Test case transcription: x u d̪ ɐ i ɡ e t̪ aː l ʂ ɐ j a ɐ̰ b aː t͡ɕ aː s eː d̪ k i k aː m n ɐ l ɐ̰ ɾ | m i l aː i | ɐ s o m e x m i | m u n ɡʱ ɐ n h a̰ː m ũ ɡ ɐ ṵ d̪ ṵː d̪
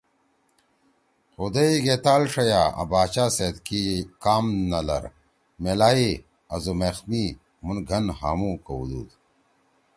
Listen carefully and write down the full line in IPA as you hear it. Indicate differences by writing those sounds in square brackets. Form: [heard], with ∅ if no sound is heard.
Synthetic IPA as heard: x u d̪ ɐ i ɡ e t̪ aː l ʂ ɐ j a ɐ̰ b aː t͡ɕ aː s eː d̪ k i k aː m n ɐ l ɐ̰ ɾ | m [e] l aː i | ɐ [z] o m e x m i | m u n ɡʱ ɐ n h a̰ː m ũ [k] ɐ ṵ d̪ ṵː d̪